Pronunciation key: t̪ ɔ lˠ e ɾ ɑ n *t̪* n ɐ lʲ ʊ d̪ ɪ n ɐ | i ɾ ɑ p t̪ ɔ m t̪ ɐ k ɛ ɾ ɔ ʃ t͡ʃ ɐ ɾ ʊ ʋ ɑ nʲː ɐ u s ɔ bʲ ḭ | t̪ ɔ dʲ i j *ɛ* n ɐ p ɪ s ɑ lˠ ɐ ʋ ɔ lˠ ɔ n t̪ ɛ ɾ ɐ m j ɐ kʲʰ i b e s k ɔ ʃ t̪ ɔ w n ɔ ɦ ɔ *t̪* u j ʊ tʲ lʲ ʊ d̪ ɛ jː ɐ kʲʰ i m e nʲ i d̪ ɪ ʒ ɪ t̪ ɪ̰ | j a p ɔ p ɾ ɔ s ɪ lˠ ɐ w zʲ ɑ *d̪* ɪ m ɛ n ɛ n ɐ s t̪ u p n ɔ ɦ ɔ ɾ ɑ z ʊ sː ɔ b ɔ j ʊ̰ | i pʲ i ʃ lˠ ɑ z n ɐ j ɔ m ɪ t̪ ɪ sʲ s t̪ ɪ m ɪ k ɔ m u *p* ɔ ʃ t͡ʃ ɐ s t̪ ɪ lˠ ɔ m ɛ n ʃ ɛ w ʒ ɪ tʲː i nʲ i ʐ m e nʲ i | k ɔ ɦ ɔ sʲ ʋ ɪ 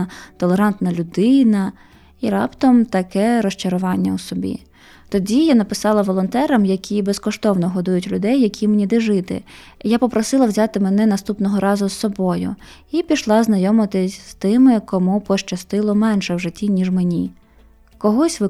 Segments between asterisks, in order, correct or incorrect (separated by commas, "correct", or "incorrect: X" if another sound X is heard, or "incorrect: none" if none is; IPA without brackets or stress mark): correct, incorrect: a, incorrect: d̪, incorrect: t̪, correct